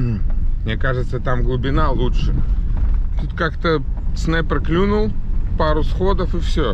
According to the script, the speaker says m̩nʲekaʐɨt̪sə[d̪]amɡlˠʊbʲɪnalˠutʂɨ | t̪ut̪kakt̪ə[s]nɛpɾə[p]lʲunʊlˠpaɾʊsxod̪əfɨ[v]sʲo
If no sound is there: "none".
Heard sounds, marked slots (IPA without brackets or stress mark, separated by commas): t̪, s, k, f